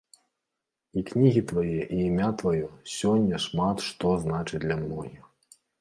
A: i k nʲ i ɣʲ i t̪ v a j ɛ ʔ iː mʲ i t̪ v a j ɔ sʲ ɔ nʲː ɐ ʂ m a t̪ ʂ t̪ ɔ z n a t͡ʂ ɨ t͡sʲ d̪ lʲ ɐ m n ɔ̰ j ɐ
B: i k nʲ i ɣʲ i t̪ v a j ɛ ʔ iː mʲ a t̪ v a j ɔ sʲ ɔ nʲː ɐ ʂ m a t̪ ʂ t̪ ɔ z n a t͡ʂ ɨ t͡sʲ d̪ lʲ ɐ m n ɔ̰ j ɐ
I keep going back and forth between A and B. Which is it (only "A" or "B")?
B